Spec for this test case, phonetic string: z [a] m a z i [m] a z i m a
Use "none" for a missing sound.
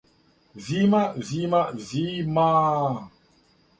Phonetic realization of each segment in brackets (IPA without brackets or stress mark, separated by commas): i, m